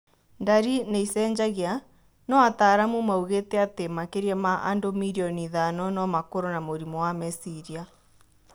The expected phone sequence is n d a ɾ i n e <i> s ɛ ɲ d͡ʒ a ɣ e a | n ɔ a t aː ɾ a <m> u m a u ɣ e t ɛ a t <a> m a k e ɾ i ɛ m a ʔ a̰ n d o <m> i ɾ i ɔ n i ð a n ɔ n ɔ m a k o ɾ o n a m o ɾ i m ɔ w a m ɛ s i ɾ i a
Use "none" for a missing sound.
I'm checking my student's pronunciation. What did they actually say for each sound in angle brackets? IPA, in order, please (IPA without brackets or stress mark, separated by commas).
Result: i, m, e, m